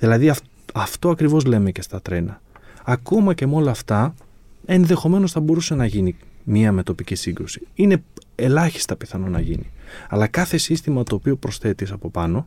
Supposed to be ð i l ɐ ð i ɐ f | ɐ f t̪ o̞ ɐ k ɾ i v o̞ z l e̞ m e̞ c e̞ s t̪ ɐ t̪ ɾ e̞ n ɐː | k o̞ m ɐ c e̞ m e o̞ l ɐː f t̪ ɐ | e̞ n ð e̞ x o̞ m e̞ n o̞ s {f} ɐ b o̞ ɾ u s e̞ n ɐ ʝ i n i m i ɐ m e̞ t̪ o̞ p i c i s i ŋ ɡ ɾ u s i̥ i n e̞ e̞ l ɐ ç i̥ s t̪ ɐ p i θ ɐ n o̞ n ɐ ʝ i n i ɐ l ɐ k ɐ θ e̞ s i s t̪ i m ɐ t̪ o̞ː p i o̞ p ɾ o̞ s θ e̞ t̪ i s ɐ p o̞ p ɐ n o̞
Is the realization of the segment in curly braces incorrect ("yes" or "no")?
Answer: yes